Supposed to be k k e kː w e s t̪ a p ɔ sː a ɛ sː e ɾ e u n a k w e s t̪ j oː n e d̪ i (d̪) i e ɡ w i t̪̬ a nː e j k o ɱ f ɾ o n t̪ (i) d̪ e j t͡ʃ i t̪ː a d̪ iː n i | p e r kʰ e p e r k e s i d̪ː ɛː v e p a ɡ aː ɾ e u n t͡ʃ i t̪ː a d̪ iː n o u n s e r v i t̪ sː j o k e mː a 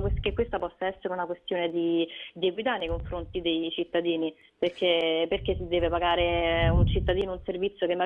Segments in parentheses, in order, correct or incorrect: correct, correct

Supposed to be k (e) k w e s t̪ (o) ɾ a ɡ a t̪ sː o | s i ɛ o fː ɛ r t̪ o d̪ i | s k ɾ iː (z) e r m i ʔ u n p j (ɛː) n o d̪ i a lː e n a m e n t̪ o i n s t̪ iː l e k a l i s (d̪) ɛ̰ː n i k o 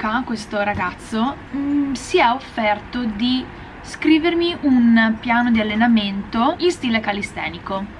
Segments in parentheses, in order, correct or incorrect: incorrect: a, correct, incorrect: v, incorrect: aː, incorrect: t̪

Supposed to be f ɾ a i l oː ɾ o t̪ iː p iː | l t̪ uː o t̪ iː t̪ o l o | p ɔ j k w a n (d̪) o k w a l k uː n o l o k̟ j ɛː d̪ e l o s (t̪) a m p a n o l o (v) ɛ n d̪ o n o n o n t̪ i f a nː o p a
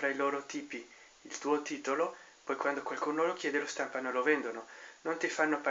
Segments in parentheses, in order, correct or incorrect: correct, correct, correct

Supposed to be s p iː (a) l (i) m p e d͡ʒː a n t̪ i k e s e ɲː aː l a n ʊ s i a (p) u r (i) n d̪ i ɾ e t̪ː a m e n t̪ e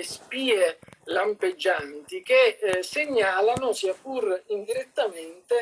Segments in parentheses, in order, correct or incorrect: incorrect: e, incorrect: a, correct, correct

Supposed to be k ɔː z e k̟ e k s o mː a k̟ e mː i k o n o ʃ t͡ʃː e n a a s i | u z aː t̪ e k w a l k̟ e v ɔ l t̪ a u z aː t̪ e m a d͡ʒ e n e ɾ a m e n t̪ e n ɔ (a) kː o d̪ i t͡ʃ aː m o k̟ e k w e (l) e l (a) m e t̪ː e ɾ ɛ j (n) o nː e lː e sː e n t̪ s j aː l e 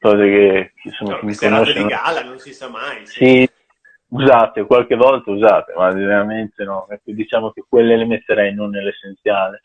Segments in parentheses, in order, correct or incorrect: incorrect: ɛ, incorrect: lː, incorrect: e, correct

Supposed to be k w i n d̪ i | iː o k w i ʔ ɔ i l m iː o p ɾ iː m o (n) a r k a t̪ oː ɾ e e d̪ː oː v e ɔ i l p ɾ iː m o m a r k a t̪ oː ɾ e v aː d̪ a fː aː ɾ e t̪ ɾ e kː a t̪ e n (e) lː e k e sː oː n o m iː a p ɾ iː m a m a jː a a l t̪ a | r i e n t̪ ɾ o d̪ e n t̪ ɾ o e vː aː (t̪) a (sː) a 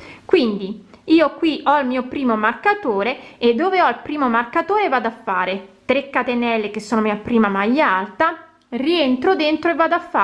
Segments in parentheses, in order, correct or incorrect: incorrect: m, incorrect: ɛ, incorrect: d̪, incorrect: fː

